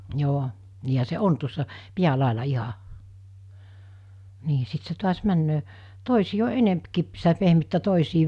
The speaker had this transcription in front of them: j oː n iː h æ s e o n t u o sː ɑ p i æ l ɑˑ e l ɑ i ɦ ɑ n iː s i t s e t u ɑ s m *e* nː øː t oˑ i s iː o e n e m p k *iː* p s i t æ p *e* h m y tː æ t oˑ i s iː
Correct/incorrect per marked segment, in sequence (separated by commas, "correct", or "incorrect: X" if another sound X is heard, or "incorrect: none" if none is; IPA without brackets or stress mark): incorrect: æ, incorrect: i, correct